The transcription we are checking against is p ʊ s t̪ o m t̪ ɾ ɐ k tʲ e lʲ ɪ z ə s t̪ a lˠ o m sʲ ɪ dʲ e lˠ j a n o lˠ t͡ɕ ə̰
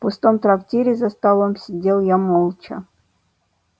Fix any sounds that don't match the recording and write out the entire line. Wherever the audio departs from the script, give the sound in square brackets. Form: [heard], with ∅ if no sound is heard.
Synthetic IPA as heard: p ʊ s t̪ o m t̪ ɾ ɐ k tʲ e [ɾʲ] ɪ z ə s t̪ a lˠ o m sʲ ɪ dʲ e lˠ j a [m] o lˠ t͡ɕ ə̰